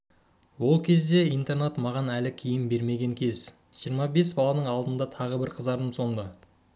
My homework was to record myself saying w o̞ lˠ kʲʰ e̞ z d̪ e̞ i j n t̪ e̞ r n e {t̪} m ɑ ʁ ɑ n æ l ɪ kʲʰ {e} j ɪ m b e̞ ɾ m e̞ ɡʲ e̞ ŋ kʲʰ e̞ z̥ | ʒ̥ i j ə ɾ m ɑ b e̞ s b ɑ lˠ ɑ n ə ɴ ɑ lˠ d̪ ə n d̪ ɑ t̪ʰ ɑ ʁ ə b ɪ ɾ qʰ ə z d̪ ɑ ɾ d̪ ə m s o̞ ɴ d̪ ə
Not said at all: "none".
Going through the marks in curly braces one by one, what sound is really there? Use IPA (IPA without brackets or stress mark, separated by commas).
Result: t̪, i